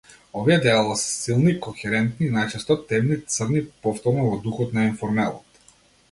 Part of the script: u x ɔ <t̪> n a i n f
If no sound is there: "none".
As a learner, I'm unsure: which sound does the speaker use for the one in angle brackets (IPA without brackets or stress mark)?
t̪